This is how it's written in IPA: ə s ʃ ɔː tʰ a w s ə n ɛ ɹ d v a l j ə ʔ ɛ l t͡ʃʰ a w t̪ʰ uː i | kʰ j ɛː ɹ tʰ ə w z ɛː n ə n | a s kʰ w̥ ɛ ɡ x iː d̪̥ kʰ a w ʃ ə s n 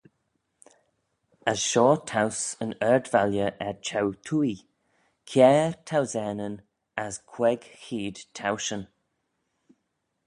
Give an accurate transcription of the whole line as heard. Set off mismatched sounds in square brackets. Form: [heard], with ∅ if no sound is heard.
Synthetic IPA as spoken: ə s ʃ ɔː tʰ a w s ə n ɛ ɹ d v a l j ə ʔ ɛ [ɹ] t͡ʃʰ a w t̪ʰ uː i | kʰ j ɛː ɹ tʰ [a] w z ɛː n ə n | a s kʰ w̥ ɛ ɡ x iː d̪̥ [tʰ] a w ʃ ə [∅] n

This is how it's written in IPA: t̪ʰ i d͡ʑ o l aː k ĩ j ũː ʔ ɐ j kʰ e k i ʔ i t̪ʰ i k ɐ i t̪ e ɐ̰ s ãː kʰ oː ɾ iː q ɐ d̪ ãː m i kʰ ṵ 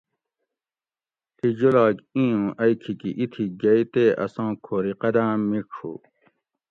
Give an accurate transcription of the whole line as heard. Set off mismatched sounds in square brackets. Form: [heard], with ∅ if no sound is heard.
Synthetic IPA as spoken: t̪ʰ i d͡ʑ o l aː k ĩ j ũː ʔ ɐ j kʰ [i] k i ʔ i t̪ʰ i [ɡ] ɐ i t̪ e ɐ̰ s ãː kʰ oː ɾ [i] q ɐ d̪ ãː m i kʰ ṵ

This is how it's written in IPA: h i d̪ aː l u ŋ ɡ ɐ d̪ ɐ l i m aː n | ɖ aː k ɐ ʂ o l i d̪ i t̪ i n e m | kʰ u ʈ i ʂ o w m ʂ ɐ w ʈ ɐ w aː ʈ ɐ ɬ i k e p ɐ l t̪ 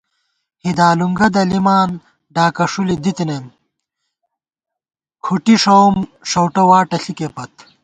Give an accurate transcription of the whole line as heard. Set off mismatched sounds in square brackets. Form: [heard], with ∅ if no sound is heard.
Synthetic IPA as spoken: h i d̪ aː l u ŋ ɡ ɐ d̪ ɐ l i m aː n | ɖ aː k ɐ ʂ [u] l i d̪ i t̪ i n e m | kʰ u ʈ i ʂ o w m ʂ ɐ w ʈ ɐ w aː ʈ ɐ ɬ i k e p ɐ [∅] t̪

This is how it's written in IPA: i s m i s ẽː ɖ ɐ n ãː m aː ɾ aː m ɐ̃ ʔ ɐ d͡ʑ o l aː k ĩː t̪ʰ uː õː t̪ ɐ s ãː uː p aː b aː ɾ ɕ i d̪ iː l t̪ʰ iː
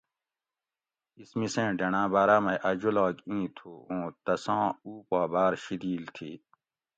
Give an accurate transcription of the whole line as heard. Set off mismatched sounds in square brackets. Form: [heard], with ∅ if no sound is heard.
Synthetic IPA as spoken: i s m i s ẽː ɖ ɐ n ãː [b] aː ɾ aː m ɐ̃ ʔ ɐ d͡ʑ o l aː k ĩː t̪ʰ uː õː t̪ ɐ s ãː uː p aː b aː ɾ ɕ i d̪ iː l t̪ʰ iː

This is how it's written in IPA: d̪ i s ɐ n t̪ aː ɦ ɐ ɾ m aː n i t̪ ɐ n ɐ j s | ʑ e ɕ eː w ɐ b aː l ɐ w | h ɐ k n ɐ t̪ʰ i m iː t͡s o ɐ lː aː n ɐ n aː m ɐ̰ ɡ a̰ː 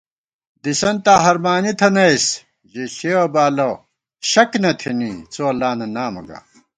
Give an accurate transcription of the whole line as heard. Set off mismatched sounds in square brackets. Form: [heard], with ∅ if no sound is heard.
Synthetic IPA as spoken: d̪ i s ɐ n t̪ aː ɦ ɐ ɾ m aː n i [t̪ʰ] ɐ n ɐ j s | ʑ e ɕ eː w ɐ b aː l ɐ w | [ɕ] ɐ k n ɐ t̪ʰ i [n] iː t͡s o ɐ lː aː n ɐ n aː m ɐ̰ ɡ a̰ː

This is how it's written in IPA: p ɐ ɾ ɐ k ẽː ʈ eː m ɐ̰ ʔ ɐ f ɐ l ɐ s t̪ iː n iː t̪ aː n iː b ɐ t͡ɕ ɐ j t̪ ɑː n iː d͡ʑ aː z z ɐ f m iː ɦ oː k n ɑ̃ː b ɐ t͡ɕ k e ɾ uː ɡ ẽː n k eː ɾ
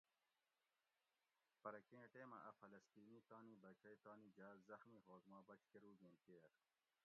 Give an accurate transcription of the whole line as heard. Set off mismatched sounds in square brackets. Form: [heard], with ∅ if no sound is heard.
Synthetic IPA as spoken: p ɐ ɾ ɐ k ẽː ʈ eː m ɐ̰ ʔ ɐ f ɐ l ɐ s t̪ iː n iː t̪ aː n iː b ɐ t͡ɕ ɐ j t̪ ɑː n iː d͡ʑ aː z z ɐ [x] m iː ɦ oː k [m] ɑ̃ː b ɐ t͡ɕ k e ɾ uː ɡ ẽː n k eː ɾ

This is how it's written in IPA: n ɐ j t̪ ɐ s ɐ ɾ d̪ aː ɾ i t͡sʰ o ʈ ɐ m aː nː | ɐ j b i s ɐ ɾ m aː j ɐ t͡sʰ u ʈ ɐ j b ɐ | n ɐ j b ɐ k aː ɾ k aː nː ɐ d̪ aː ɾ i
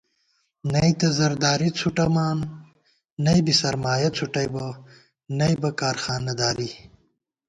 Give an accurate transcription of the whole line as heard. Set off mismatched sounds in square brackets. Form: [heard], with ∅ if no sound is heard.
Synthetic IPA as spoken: n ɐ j t̪ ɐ [z] ɐ ɾ d̪ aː ɾ i t͡sʰ [u] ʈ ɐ m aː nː | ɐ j b i s ɐ ɾ m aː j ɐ t͡sʰ u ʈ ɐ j b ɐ | n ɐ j b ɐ k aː ɾ [x] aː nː ɐ d̪ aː ɾ i

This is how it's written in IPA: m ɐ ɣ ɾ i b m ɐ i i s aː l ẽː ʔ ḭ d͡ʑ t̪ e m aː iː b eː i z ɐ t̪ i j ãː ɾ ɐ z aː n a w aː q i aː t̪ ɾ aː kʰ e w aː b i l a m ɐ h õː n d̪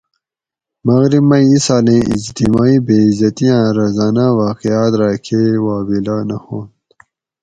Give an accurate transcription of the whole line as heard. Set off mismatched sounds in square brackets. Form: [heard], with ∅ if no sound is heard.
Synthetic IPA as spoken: m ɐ ɣ ɾ i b m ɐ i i s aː l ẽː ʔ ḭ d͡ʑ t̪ [i] m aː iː b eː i z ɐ t̪ i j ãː ɾ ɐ z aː n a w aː q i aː t̪ ɾ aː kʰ e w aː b i l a [n] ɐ h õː n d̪

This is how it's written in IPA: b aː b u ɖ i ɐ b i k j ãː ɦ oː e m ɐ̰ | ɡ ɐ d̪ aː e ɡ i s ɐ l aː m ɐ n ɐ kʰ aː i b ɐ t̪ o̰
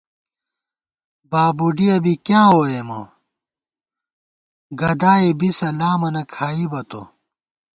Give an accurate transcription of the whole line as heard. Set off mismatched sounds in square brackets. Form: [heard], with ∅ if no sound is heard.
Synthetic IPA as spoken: b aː b u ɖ i ɐ b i k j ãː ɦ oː e m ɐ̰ | ɡ ɐ d̪ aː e [b] i s ɐ l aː m ɐ n ɐ kʰ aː i b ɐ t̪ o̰

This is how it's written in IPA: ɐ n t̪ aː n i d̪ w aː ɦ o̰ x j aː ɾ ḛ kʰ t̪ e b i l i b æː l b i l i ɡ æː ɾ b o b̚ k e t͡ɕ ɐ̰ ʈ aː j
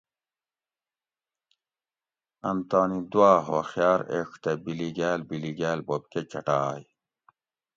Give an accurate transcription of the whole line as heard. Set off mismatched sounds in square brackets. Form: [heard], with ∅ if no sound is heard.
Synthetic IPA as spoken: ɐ n t̪ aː n i d̪ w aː ɦ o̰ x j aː ɾ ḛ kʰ t̪ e b i l i [ɡ] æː l b i l i ɡ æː [l] b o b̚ k e t͡ɕ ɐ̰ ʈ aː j

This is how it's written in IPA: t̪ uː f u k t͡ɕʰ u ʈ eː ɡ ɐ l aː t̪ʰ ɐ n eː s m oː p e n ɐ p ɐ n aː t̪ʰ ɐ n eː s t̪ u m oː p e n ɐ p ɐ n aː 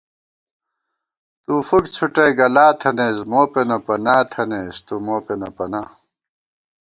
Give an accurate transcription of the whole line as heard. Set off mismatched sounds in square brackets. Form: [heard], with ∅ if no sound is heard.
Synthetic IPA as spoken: t̪ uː f u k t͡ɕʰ u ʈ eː ɡ ɐ l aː t̪ʰ ɐ n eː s m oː p e n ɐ p ɐ n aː t̪ʰ ɐ n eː s t̪ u m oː p e n ɐ p ɐ n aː

